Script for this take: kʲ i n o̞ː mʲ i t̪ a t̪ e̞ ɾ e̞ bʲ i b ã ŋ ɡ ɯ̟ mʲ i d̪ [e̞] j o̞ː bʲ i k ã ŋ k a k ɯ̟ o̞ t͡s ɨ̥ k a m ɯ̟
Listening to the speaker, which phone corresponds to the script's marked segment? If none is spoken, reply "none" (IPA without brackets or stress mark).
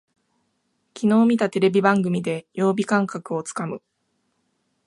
e̞